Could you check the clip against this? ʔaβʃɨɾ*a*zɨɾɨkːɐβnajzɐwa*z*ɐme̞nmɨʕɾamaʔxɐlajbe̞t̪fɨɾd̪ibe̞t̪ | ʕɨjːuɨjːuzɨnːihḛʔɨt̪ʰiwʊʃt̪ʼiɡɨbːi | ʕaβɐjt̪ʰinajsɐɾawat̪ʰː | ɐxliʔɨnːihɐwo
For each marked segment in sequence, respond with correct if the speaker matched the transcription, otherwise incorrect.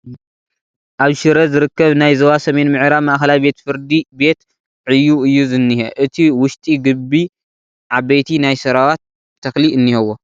incorrect: ɐ, incorrect: s

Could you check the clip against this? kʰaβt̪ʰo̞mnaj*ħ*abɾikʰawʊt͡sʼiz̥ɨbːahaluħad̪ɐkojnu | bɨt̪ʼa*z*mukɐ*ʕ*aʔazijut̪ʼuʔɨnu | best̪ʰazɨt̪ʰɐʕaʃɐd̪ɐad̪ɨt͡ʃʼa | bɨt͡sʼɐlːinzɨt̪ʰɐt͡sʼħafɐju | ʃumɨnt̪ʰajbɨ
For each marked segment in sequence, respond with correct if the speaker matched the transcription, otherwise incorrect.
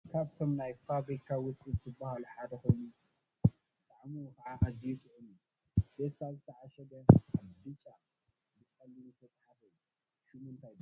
incorrect: f, incorrect: ʕ, correct

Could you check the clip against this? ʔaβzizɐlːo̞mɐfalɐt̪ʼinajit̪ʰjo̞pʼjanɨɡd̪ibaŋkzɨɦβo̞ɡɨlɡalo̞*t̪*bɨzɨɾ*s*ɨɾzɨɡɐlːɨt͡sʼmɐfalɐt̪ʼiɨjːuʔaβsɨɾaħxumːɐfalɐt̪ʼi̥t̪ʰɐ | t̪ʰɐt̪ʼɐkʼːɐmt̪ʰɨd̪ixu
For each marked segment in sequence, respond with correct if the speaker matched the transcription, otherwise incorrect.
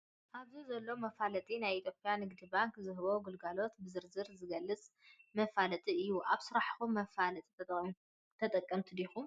correct, incorrect: z

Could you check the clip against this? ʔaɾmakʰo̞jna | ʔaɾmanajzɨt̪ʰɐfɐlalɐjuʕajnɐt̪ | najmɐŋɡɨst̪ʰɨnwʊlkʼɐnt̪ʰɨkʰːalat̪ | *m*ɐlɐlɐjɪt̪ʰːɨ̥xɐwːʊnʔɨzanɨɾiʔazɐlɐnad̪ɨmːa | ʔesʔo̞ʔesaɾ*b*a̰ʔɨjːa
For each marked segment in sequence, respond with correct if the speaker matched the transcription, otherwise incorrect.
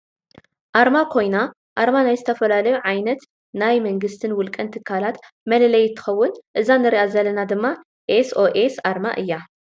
correct, incorrect: m

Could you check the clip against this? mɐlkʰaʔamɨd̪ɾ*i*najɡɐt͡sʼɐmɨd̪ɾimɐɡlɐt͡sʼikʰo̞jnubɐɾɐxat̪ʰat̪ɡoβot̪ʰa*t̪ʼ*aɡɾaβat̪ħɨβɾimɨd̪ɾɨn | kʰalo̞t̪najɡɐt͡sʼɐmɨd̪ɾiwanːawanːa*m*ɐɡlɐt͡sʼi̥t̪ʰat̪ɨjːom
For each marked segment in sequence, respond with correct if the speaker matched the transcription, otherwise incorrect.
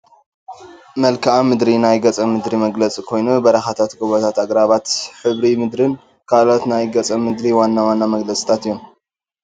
correct, incorrect: t̪, correct

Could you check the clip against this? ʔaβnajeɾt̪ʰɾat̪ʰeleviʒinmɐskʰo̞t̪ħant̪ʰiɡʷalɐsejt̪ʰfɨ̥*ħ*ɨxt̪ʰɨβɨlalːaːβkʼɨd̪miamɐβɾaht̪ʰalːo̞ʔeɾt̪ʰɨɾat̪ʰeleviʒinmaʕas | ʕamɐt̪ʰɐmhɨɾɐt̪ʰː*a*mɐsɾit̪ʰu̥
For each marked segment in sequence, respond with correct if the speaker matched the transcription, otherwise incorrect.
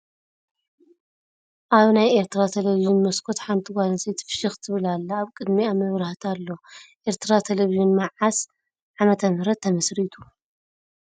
incorrect: ʃ, incorrect: ɐ

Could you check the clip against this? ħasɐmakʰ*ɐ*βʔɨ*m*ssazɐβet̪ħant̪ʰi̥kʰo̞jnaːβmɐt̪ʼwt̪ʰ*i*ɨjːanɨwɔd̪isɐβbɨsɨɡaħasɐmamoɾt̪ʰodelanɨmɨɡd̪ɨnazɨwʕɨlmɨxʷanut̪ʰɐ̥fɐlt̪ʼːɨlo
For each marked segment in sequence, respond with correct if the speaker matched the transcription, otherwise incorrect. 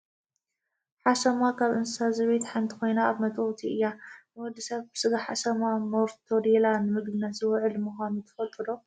incorrect: a, incorrect: n, correct

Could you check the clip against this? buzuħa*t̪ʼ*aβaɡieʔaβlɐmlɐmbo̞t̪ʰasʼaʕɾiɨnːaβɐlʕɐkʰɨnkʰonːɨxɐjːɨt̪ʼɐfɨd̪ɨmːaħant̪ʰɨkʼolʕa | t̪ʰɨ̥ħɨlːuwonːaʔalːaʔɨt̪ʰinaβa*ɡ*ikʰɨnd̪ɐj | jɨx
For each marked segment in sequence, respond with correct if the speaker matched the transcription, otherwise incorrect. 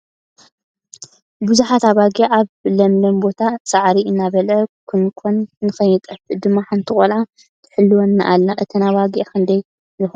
incorrect: t̪, correct

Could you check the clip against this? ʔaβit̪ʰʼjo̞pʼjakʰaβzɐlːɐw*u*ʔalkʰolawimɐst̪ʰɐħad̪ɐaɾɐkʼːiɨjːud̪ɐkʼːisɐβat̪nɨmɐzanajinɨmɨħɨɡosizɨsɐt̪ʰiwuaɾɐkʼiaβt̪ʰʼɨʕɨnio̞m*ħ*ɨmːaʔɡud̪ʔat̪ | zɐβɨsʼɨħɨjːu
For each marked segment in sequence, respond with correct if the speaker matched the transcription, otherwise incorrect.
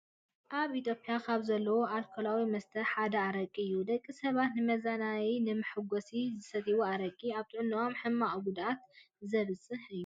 incorrect: o, correct

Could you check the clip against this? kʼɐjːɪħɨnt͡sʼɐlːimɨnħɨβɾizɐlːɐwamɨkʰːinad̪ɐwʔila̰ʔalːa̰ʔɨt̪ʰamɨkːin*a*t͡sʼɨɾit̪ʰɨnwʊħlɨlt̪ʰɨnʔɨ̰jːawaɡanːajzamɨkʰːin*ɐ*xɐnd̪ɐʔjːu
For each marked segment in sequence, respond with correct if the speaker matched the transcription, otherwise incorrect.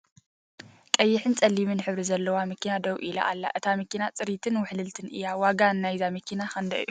correct, incorrect: a

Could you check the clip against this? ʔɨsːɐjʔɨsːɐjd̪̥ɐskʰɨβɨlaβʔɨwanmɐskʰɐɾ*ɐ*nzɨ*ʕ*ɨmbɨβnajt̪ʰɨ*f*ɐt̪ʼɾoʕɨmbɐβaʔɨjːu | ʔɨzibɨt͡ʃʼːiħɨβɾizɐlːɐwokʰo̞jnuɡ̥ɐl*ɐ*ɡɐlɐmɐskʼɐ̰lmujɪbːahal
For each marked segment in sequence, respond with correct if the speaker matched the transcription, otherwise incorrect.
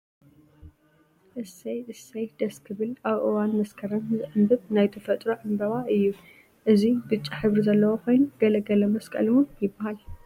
correct, correct, correct, correct

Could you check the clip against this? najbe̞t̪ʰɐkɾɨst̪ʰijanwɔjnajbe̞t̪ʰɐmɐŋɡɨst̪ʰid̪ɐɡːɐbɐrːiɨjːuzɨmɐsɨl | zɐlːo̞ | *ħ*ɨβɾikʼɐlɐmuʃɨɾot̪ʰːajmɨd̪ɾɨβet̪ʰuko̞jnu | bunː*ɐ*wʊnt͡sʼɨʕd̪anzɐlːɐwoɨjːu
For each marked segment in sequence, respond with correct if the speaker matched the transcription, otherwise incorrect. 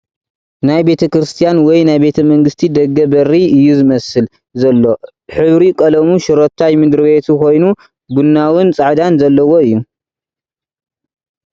correct, incorrect: a

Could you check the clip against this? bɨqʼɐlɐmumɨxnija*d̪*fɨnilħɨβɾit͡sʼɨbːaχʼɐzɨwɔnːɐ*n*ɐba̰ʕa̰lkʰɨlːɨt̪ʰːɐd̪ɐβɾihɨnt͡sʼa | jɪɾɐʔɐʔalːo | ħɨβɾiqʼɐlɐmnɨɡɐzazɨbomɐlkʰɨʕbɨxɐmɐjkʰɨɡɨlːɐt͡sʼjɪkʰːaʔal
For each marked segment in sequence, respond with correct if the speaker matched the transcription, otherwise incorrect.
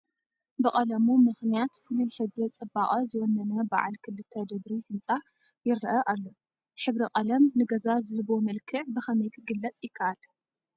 incorrect: t̪, correct

